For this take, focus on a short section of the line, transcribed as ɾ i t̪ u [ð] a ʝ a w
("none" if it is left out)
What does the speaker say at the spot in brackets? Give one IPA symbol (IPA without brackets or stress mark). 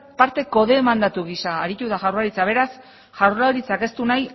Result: ð